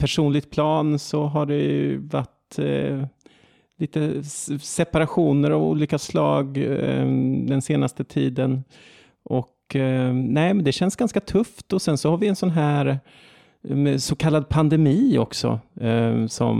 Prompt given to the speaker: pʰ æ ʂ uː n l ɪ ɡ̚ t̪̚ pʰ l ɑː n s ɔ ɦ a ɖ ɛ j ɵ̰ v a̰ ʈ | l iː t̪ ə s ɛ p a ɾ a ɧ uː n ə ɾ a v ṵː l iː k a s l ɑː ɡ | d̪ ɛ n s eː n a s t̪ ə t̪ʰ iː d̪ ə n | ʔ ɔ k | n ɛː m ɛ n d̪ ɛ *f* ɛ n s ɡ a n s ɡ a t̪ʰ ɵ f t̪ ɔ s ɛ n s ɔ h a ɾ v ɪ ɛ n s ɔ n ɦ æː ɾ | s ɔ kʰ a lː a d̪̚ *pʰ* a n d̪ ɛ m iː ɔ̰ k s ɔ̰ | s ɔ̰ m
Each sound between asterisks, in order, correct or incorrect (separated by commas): incorrect, correct